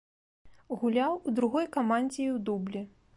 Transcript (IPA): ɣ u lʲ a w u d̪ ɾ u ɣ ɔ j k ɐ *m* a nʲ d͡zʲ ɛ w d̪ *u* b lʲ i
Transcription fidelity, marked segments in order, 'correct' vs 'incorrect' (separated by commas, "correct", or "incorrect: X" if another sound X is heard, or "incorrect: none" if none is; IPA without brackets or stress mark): correct, correct